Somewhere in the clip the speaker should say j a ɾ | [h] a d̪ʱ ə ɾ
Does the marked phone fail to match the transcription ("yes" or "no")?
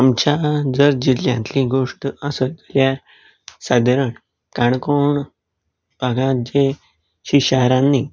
yes